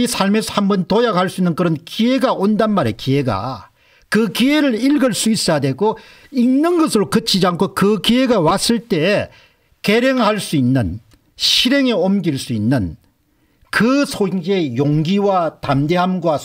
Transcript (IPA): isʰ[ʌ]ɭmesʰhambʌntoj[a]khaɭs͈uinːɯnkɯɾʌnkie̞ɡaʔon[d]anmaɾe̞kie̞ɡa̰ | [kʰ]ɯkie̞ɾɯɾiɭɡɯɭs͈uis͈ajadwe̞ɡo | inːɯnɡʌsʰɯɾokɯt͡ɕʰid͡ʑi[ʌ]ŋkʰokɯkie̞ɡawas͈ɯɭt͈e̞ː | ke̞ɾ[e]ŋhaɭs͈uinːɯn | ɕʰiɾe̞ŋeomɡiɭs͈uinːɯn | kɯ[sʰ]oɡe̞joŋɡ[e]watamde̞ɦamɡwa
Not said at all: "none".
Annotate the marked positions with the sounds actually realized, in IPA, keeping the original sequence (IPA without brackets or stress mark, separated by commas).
a, a, d, k, a, e, sʰ, i